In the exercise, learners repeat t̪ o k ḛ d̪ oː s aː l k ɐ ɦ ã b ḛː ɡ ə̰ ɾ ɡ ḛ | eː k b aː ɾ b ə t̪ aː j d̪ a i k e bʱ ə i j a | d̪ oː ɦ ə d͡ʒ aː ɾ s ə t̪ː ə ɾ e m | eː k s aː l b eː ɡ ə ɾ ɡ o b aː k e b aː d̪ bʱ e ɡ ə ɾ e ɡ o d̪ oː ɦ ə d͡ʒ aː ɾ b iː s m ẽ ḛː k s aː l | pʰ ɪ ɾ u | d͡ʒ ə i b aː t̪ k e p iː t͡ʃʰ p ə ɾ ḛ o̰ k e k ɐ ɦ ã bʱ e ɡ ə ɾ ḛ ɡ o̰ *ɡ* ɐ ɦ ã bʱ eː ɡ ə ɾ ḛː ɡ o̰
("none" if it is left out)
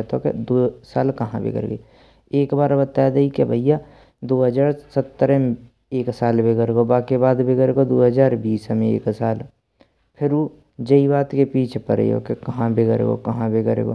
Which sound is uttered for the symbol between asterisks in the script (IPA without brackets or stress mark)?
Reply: k